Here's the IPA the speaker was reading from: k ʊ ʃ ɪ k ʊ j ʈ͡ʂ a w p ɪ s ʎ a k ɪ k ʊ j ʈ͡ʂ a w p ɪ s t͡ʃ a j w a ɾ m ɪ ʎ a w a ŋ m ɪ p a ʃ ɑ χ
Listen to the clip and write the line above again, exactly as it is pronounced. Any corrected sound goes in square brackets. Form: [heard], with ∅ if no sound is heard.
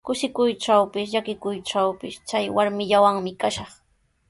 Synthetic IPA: k ʊ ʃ ɪ k ʊ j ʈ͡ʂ a w p ɪ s ʎ a k ɪ k ʊ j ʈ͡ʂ a w p ɪ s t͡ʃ a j w a ɾ m ɪ ʎ a w a ŋ m ɪ [k] a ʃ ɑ χ

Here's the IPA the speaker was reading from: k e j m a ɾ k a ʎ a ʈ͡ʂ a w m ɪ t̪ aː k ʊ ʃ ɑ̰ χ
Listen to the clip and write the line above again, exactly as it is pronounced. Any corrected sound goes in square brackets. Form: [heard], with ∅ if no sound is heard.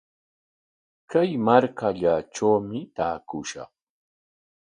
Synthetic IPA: k [a] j m a ɾ k a ʎ a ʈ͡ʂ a w m ɪ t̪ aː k ʊ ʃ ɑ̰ χ

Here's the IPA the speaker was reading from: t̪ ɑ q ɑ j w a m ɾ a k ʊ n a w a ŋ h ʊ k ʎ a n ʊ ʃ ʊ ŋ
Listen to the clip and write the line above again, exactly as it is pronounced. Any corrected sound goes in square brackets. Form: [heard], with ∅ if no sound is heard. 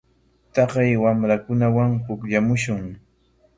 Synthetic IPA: t̪ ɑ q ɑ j w a m ɾ a k ʊ n a w a ŋ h ʊ k ʎ a [m] ʊ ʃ ʊ ŋ

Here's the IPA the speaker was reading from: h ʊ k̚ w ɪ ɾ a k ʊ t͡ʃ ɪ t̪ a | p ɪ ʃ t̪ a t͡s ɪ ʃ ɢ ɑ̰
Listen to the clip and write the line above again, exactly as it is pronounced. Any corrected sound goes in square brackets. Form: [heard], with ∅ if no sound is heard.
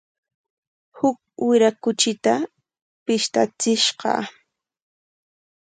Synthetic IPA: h ʊ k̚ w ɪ ɾ a k ʊ t͡ʃ ɪ t̪ a | p ɪ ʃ t̪ a t͡s ɪ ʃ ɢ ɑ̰

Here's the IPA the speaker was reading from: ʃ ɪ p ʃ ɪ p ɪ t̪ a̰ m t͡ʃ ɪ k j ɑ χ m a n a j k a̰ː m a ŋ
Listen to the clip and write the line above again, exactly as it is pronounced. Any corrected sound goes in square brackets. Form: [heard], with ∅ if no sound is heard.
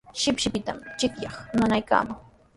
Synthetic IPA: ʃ ɪ p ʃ ɪ p ɪ t̪ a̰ m t͡ʃ ɪ k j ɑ χ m a n a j k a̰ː m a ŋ

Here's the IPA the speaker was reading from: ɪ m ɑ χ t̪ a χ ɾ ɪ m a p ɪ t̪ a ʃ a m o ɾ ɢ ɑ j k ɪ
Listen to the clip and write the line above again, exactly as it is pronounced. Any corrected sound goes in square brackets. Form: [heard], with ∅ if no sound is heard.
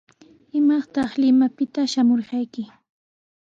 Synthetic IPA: ɪ m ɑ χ t̪ [ɑ] χ [l] ɪ m a p ɪ t̪ a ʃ a m o ɾ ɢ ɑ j k ɪ

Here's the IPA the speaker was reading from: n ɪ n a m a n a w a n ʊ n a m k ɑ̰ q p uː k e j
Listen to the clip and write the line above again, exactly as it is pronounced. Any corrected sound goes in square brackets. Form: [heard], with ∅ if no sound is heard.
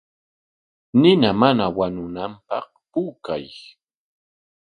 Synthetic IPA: n ɪ n a m a n a w a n ʊ n a m [p] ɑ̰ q p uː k [a] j

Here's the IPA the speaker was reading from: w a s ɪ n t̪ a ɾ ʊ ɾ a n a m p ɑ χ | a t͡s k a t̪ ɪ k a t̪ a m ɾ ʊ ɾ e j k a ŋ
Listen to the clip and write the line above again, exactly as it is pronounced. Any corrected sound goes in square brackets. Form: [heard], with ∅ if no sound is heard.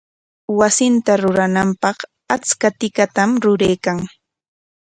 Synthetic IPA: w a s ɪ n t̪ a ɾ ʊ ɾ a n a m p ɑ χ | a t͡s k a t̪ ɪ k a t̪ a m ɾ ʊ ɾ e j k a ŋ

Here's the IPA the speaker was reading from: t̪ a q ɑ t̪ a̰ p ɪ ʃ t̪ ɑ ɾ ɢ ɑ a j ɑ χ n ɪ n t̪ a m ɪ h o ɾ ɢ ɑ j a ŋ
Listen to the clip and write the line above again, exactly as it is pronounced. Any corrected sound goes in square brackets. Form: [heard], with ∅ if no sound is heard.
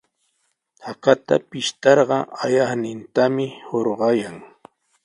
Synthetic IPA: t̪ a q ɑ t̪ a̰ p ɪ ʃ t̪ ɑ ɾ ɢ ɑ a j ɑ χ n ɪ n t̪ a m ɪ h o ɾ ɢ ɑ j a ŋ

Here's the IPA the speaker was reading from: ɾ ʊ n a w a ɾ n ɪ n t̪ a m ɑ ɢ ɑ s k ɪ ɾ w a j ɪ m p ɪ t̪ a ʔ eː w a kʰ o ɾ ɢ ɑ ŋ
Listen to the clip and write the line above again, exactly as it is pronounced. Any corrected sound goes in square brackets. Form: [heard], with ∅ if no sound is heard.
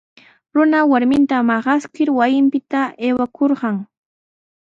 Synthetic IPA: ɾ ʊ n a w a ɾ [m] ɪ n t̪ a m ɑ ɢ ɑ s k ɪ ɾ w a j ɪ m p ɪ t̪ a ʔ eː w a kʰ o ɾ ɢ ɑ ŋ

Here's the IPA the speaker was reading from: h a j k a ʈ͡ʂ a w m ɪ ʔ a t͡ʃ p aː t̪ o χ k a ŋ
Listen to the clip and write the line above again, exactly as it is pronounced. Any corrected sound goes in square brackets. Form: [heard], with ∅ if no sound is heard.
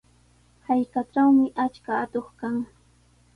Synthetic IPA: h a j k a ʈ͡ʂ a w m ɪ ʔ a t͡ʃ [k] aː t̪ o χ k a ŋ

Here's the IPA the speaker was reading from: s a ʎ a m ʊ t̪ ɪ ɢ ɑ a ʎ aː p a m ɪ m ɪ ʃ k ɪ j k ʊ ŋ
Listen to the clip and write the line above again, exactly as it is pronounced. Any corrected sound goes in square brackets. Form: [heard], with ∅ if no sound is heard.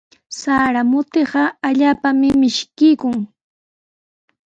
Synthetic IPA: s a [ɾ] a m ʊ t̪ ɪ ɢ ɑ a ʎ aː p a m ɪ m ɪ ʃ k ɪ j k ʊ ŋ

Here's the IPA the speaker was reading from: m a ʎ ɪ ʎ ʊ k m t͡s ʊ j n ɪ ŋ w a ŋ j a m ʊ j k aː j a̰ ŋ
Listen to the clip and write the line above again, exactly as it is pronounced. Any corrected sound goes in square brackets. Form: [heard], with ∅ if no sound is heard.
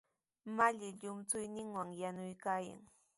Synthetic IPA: m a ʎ ɪ ʎ ʊ [∅] m t͡s ʊ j n ɪ ŋ w a ŋ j a [n] ʊ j k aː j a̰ ŋ

